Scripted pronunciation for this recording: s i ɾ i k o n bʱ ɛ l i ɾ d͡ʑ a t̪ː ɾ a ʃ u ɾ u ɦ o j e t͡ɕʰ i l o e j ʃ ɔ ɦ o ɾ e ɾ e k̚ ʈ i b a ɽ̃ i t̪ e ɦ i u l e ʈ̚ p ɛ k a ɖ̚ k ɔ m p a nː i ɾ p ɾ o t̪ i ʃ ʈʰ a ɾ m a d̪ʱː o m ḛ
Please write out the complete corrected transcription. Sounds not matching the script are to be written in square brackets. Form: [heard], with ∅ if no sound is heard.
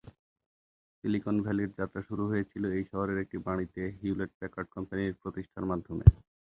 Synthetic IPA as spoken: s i [l] i k o n bʱ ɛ l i ɾ d͡ʑ a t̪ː ɾ a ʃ u ɾ u ɦ o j e t͡ɕʰ i l o e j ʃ ɔ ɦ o ɾ e ɾ e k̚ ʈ i b a ɽ̃ i t̪ e ɦ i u l e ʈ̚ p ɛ k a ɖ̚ k ɔ m p a [n] i ɾ p ɾ o t̪ i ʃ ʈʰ a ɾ m a d̪ʱː o m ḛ

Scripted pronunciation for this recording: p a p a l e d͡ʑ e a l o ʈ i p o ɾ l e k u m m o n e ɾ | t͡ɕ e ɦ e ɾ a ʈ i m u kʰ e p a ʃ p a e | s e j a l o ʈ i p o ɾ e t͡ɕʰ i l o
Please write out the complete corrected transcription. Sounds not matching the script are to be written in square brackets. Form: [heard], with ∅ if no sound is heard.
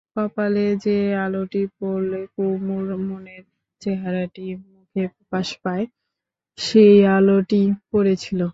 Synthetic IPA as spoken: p a p a l e d͡ʑ e a l o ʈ i p o ɾ l e k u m m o n e ɾ | t͡ɕ e ɦ [a] ɾ a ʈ i m u kʰ e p a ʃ p a e | [ʃ] e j a l o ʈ i p o ɾ e t͡ɕʰ i l o

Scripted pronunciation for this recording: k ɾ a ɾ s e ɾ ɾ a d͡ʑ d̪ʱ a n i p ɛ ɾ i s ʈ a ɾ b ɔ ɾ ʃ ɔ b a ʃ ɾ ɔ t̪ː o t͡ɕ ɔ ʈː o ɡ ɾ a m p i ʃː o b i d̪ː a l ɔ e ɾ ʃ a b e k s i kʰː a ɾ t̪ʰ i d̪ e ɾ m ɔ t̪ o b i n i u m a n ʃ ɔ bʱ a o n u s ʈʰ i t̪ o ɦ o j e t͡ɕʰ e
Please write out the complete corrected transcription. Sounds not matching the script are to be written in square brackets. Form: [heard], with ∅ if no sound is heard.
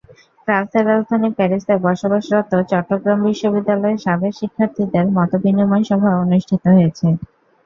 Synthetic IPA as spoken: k ɾ a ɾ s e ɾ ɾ a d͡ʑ d̪ʱ a n i p ɛ ɾ i s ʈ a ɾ b ɔ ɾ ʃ [o] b a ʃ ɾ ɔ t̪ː o t͡ɕ ɔ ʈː o ɡ ɾ a m [b] i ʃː o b i d̪ː a l ɔ e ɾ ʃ a b e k [ʃ] i kʰː a ɾ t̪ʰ i d̪ e ɾ m ɔ t̪ o b i n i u m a n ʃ ɔ bʱ a o n u [ʃ] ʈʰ i t̪ o ɦ o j e t͡ɕʰ e

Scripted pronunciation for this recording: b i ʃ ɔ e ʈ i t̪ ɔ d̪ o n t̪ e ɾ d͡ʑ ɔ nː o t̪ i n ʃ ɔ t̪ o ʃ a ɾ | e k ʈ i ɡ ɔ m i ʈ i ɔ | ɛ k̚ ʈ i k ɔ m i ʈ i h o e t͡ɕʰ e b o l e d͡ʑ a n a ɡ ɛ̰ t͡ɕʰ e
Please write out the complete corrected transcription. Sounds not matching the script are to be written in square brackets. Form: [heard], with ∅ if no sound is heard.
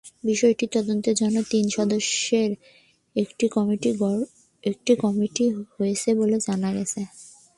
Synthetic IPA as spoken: b i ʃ ɔ e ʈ i t̪ ɔ d̪ o n t̪ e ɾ d͡ʑ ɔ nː o t̪ i n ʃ ɔ [d̪] o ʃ [e] ɾ | e k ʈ i [k] ɔ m i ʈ i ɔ | [e] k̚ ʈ i k ɔ m i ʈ i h o e t͡ɕʰ e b o l e d͡ʑ a n a ɡ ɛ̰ t͡ɕʰ e

